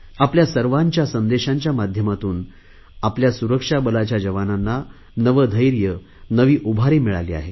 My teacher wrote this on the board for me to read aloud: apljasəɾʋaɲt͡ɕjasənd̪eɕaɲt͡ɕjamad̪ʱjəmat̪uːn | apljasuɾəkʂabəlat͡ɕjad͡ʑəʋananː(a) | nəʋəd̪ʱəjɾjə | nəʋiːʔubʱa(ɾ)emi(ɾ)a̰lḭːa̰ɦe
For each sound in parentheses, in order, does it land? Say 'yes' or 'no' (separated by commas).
yes, yes, no